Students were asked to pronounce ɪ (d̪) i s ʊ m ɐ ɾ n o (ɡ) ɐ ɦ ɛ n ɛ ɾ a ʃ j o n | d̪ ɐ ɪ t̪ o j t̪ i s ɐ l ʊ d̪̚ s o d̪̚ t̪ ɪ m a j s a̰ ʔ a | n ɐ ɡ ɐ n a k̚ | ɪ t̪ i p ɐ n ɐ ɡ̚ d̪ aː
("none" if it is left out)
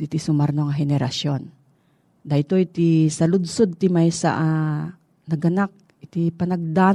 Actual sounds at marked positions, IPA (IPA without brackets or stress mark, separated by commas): t̪, ŋ